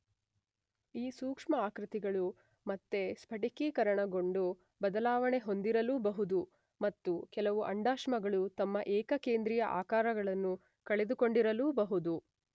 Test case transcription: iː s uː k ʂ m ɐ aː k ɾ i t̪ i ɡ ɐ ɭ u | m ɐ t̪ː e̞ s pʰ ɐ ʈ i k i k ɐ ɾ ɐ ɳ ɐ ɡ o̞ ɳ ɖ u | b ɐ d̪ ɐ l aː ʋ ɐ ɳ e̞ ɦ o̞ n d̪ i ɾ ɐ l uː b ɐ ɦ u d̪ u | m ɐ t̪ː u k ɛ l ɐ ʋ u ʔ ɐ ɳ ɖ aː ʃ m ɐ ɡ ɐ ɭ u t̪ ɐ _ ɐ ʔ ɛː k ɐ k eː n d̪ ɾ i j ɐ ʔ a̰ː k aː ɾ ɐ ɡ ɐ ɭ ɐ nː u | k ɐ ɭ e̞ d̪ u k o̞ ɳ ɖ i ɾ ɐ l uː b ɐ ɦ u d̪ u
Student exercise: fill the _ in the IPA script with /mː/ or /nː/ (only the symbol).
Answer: mː